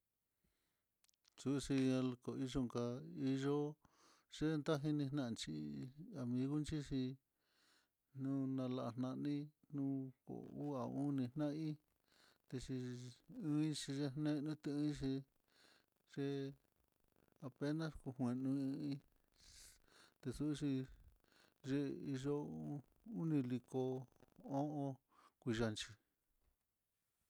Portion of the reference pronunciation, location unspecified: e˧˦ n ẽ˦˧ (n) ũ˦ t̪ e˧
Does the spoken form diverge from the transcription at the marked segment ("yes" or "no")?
no